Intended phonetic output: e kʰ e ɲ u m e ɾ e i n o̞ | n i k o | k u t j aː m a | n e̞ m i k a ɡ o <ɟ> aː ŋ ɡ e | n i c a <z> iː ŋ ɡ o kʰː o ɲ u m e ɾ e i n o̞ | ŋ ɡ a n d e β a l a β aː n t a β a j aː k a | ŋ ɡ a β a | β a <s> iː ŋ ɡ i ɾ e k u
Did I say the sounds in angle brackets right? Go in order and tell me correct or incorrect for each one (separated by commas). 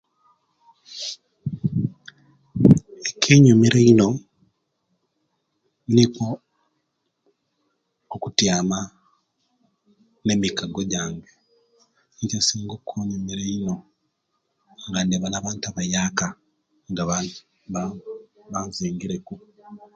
correct, incorrect, incorrect